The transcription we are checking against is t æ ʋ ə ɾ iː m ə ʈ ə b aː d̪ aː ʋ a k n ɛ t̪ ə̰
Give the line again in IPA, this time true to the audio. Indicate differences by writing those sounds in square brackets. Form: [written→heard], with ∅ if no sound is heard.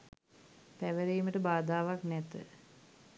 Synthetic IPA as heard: [t→p] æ ʋ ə ɾ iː m ə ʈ ə b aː d̪ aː ʋ a k n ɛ t̪ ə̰